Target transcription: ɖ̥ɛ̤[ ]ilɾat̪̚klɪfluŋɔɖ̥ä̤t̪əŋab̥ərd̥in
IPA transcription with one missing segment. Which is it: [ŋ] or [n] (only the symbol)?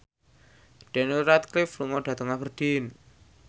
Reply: n